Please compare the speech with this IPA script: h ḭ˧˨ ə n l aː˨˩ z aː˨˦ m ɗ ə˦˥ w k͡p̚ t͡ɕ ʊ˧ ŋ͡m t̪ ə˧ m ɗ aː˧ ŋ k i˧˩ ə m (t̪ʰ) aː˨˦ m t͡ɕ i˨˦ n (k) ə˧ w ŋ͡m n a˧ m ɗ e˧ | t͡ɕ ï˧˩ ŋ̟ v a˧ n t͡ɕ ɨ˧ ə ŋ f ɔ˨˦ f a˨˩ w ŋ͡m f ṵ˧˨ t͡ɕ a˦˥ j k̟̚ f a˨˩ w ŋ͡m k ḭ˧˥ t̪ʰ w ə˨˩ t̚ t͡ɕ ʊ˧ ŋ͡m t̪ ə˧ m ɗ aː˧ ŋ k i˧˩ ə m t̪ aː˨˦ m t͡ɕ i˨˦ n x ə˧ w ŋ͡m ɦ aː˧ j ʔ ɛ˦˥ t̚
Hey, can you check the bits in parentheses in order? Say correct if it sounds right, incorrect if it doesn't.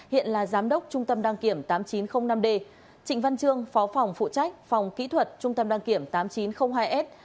incorrect: t̪, incorrect: x

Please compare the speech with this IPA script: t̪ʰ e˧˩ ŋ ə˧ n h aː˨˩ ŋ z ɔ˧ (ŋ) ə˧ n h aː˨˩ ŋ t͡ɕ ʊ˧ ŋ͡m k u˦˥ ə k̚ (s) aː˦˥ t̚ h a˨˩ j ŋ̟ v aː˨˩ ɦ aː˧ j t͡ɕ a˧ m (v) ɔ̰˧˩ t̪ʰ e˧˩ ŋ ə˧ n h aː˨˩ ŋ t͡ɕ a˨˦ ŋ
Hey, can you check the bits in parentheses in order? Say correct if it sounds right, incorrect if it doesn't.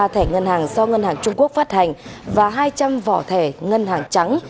correct, incorrect: f, correct

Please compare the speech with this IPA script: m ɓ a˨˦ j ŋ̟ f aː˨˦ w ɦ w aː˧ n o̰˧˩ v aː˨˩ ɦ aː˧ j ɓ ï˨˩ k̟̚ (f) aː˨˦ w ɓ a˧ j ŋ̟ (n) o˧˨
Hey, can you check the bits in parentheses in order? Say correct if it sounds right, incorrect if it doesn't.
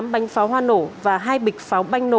correct, correct

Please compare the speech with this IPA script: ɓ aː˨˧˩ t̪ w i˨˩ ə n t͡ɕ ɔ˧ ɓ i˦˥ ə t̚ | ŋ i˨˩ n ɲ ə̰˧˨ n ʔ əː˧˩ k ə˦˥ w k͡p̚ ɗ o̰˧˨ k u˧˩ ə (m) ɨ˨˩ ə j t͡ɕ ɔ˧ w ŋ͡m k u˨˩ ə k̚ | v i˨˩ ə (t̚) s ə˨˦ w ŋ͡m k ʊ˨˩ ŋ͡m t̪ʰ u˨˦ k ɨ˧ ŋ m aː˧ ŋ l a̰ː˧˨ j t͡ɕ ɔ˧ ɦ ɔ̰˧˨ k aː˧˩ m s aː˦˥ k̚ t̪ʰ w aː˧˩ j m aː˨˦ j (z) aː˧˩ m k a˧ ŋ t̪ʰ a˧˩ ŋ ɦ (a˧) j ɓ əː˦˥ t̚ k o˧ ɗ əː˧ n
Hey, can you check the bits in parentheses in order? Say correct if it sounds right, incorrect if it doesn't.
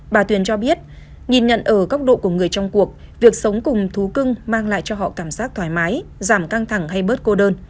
incorrect: ŋ, incorrect: k̚, correct, correct

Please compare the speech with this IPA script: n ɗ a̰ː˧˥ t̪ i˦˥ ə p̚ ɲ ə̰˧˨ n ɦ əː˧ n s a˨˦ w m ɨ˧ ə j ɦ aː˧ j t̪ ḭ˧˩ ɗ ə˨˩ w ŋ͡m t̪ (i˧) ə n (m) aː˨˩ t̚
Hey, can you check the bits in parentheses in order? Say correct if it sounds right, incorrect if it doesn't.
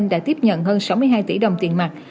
incorrect: i˨˩, correct

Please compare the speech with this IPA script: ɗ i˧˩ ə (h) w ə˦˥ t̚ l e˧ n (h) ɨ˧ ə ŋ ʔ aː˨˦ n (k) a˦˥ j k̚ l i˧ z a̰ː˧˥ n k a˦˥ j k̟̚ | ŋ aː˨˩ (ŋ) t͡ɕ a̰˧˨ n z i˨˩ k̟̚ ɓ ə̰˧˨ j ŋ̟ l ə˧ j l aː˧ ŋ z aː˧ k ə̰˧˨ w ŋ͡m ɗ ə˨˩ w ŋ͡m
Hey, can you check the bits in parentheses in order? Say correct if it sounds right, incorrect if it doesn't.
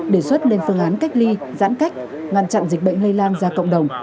incorrect: s, incorrect: f, correct, incorrect: n

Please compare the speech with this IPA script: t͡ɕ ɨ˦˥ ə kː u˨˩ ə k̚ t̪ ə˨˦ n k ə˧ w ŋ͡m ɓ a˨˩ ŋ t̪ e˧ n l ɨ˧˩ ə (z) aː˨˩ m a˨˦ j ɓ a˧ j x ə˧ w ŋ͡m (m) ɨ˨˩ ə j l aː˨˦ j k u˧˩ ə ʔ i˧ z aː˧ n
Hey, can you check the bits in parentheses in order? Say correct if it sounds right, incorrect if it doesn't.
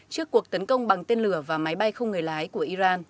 incorrect: v, incorrect: ŋ

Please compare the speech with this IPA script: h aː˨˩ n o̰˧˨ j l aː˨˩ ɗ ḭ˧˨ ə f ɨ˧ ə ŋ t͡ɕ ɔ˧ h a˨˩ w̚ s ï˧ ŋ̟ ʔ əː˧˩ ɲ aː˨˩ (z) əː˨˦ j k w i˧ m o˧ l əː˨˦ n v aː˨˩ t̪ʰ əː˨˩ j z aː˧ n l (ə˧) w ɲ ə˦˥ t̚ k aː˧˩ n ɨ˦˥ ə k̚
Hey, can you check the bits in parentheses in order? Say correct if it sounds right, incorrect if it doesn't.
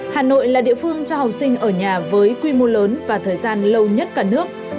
incorrect: v, correct

